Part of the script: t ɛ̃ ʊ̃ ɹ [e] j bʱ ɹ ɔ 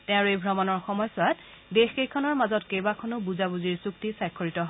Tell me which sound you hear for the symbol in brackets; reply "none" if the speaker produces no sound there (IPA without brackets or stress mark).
e